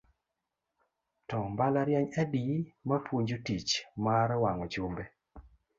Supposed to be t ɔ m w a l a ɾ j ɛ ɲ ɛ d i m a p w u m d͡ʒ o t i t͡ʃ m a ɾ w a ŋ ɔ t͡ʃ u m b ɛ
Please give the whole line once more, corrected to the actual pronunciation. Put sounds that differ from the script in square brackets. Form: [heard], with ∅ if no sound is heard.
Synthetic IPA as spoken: t ɔ m [b] a l a ɾ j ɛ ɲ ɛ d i m a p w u [ɲ] d͡ʒ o t i t͡ʃ m a ɾ w a ŋ ɔ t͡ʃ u m b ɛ